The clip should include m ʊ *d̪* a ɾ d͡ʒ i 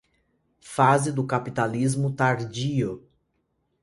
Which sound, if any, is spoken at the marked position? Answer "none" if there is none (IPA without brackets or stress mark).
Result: t̪